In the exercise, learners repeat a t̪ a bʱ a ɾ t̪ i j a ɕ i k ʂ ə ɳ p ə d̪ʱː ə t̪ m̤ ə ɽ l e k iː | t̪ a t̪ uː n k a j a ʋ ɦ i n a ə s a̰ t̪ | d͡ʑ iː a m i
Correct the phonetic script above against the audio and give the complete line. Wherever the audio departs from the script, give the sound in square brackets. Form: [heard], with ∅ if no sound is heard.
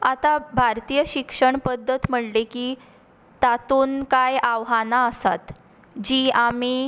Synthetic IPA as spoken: a t̪ a bʱ a ɾ t̪ i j [ə] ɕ i k ʂ ə ɳ p ə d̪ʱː ə t̪ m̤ ə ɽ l e k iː | t̪ a t̪ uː n k a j a ʋ ɦ [a] n a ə s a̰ t̪ | d͡ʑ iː a m i